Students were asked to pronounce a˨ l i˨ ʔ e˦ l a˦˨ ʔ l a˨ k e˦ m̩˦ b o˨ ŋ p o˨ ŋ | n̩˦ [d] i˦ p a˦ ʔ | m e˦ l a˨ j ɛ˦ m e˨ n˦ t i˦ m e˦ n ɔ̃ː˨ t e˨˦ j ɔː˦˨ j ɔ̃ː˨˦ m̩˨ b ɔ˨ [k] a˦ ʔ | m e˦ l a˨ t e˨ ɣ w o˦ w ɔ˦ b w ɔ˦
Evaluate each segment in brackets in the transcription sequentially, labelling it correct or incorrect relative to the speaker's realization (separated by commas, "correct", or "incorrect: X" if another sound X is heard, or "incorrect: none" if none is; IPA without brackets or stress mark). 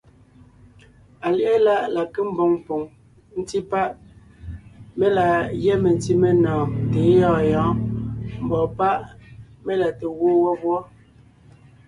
incorrect: t, incorrect: p